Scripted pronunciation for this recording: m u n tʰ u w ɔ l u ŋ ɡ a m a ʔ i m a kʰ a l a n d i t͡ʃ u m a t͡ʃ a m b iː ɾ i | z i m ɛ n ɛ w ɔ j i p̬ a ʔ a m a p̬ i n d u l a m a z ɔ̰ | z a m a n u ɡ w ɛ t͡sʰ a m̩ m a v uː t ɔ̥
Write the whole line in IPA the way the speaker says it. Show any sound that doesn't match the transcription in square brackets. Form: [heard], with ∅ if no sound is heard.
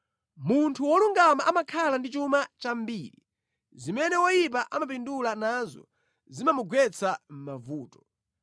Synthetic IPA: m u n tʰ u w ɔ l u ŋ ɡ a m a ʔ [a] m a kʰ a l a n d i t͡ʃ u m a t͡ʃ a m b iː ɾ i | z i m ɛ n ɛ w ɔ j i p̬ a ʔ a m a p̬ i n d u l a [n] a z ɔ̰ | z [i] m a [m] u ɡ w ɛ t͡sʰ a m̩ m a v uː t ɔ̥